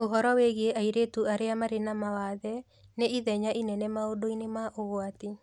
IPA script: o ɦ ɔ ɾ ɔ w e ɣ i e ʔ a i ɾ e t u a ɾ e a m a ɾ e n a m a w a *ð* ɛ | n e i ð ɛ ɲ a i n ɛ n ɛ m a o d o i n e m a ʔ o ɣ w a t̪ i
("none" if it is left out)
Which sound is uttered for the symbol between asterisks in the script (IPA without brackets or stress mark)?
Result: ð